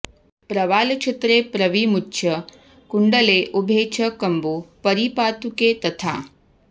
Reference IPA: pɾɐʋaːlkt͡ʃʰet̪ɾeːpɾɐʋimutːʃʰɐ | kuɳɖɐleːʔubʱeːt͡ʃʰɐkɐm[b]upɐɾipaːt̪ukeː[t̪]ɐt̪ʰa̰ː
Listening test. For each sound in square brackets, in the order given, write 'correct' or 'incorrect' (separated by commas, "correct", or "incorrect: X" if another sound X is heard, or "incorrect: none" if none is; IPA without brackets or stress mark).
correct, correct